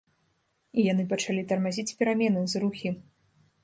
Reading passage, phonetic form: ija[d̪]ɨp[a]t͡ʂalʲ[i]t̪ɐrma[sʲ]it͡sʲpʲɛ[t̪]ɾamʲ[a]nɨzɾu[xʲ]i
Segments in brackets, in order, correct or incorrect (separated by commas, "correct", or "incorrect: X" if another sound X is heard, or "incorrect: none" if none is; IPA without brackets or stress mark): incorrect: n̪, incorrect: ɐ, correct, incorrect: zʲ, incorrect: none, incorrect: ɛ, correct